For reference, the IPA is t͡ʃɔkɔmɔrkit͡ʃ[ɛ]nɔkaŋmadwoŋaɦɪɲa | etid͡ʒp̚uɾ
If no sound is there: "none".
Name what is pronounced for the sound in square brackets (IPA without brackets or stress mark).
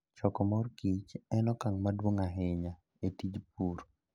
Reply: ɛ